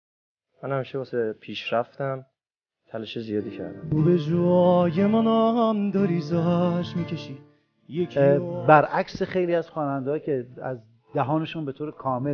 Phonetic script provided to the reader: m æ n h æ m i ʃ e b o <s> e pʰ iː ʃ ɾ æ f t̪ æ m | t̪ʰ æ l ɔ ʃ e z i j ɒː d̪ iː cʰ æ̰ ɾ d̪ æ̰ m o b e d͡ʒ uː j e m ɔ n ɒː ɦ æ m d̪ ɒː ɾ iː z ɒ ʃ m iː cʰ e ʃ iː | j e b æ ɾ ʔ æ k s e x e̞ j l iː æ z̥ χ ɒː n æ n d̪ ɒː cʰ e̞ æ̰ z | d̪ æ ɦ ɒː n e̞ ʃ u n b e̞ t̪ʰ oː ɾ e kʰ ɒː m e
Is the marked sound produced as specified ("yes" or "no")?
yes